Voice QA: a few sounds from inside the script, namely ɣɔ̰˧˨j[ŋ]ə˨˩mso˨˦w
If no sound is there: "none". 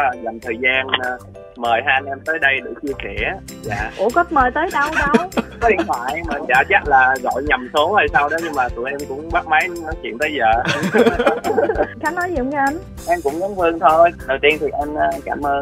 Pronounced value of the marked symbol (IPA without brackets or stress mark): ɲ